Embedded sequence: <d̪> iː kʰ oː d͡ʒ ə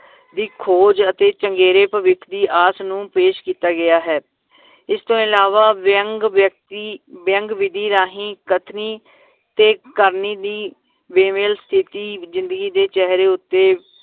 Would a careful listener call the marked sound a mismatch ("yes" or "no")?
no